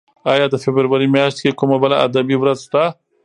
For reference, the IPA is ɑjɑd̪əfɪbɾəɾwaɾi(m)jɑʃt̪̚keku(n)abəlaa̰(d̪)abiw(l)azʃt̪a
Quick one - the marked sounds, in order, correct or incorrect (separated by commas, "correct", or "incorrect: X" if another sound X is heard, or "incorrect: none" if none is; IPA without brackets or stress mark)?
correct, incorrect: m, correct, incorrect: ɾ